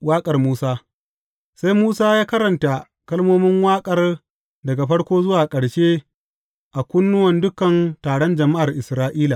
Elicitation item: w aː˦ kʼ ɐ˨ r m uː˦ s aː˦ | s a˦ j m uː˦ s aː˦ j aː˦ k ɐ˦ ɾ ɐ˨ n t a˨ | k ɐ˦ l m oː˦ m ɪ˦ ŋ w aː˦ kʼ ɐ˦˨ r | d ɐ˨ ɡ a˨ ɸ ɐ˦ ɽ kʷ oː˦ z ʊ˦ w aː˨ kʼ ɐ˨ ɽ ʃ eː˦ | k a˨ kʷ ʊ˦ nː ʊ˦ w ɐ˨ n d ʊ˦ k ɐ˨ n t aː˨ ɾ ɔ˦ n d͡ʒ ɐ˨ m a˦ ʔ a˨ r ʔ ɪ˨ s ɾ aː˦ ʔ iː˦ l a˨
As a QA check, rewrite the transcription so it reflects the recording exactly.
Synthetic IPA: w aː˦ kʼ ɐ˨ r m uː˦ s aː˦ | s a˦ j m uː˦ s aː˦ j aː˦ k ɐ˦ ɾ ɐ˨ n t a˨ | k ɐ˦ l m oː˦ m ɪ˦ ŋ w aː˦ kʼ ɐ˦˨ r | d ɐ˨ ɡ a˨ ɸ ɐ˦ ɽ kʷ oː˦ z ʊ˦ w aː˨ kʼ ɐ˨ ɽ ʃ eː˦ | ʔ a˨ kʷ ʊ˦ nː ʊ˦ w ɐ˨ n d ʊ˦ k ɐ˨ n t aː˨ ɽ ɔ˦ n d͡ʒ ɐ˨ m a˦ ʔ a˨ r ʔ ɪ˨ s ɾ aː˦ ʔ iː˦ l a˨